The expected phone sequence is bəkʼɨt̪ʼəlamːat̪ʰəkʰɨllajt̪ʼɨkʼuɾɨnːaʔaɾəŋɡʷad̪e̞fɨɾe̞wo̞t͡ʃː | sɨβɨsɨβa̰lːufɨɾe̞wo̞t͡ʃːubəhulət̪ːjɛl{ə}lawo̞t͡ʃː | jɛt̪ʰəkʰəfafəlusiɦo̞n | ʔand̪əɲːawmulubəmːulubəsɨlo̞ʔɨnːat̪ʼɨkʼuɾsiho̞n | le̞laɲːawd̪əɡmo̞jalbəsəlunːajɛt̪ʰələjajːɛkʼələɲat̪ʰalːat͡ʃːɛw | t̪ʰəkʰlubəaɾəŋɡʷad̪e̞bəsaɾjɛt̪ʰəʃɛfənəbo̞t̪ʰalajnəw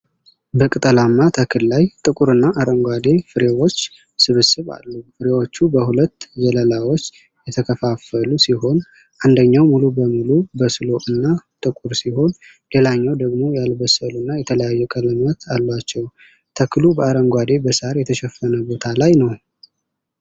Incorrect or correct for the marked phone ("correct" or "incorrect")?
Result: correct